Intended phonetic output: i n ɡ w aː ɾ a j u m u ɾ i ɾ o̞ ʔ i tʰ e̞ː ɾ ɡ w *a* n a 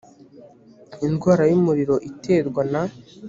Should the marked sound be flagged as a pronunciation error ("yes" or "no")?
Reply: no